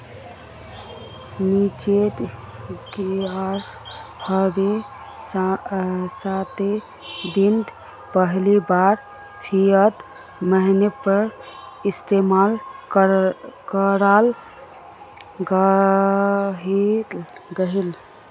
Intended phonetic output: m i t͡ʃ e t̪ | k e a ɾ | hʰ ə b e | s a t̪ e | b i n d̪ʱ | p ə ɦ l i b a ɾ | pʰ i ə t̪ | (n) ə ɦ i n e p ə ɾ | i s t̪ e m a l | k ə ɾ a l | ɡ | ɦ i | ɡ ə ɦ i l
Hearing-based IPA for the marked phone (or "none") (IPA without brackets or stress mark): m